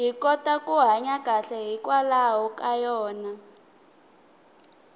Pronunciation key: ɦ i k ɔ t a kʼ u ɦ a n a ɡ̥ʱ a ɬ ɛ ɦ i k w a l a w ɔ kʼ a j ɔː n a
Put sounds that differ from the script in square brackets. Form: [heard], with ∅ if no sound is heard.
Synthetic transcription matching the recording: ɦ i k ɔ t a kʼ u ɦ a [ɲ] a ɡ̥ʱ a ɬ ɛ ɦ i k w a l a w ɔ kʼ a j ɔː n a